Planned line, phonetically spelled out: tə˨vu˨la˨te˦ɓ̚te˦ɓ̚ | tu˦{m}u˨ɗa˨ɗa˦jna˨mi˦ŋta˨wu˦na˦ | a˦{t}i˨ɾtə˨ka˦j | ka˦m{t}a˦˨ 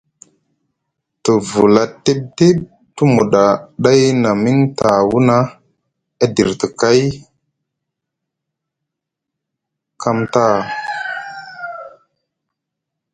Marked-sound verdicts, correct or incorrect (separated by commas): correct, incorrect, correct